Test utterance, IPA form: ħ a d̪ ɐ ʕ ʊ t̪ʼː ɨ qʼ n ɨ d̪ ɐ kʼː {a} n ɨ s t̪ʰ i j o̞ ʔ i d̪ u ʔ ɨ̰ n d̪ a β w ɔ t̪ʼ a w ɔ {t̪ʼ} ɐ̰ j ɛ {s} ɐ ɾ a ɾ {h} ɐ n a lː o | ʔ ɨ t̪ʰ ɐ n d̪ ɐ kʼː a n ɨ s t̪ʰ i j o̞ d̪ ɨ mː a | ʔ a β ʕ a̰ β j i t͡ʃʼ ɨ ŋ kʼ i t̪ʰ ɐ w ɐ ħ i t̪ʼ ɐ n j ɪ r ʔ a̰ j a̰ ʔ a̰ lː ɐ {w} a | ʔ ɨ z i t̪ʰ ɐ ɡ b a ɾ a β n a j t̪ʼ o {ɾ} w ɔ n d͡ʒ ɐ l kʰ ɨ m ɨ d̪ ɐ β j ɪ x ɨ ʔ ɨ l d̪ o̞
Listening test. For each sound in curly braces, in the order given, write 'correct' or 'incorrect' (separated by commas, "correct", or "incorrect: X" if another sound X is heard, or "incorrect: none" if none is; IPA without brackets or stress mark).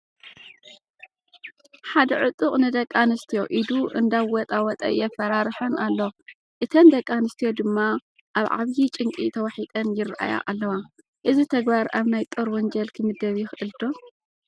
correct, correct, incorrect: f, incorrect: ħ, correct, correct